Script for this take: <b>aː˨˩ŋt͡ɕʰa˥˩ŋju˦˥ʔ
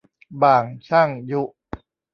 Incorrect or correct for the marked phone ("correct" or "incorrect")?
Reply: correct